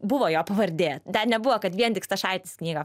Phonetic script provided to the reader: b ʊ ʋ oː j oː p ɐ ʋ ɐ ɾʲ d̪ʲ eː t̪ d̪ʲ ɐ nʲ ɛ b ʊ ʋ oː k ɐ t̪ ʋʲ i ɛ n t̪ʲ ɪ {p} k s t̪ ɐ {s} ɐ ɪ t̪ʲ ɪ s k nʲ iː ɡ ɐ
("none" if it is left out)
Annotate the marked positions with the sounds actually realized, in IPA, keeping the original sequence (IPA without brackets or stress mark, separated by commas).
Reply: none, ʃ